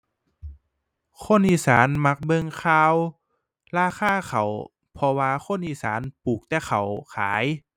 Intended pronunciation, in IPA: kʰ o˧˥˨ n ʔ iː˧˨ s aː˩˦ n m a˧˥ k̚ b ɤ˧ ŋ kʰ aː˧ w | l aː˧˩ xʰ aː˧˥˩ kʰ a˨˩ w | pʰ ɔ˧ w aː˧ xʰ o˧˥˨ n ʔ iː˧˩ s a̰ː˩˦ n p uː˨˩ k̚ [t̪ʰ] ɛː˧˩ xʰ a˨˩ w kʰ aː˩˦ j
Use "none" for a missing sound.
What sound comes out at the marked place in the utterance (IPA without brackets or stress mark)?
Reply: t̪